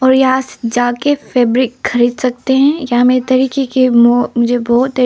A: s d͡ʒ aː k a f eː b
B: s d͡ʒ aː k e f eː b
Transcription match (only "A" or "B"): B